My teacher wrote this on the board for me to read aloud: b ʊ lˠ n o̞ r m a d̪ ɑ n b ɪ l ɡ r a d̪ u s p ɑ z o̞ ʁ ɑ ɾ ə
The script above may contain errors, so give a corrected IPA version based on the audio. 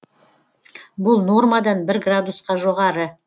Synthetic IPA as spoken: b ʊ lˠ n o̞ r m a d̪ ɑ n b ɪ ɾ ɡ r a d̪ u s q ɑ ʒ o̞ ʁ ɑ ɾ ə